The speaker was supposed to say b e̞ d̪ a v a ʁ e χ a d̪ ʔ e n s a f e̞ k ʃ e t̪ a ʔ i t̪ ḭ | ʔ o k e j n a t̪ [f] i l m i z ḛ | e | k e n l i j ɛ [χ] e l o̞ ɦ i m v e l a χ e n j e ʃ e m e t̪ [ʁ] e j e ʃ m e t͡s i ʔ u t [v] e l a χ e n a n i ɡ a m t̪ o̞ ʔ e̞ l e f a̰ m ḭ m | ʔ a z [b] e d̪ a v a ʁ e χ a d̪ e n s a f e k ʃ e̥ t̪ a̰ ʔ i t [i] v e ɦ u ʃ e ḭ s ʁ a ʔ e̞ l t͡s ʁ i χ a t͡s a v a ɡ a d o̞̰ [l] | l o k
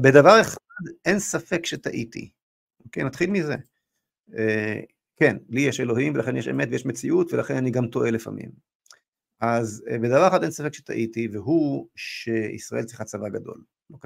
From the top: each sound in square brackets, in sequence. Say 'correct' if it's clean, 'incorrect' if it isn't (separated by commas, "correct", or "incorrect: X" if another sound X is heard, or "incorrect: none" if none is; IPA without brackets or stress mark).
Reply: incorrect: χ, incorrect: ʃ, incorrect: v, correct, correct, correct, correct